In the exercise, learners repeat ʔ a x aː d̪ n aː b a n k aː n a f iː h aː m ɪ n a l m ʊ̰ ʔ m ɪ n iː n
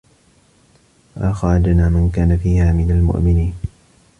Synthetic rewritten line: ʔ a x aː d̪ n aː m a n k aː n a f iː h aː m ɪ n a l m ʊ̰ ʔ m ɪ n iː n